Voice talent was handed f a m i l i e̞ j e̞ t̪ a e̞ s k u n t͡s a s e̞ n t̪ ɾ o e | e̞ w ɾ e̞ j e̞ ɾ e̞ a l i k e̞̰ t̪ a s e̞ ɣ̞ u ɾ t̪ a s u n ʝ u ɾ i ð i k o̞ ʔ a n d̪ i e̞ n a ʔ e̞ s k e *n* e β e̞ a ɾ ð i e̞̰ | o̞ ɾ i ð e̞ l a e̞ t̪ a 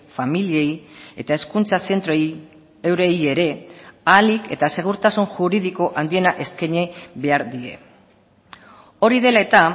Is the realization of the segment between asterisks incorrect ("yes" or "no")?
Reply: yes